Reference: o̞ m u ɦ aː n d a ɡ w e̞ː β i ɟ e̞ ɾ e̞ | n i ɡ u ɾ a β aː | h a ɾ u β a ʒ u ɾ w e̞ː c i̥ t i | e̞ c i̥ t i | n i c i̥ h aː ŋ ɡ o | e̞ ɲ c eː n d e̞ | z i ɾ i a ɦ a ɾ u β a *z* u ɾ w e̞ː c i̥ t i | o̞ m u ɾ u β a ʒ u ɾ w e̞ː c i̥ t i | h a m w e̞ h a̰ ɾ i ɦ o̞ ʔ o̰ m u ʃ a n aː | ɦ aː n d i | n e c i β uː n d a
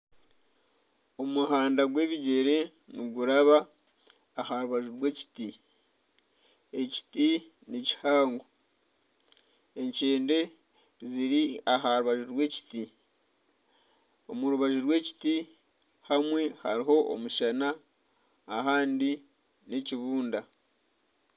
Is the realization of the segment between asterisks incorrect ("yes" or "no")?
yes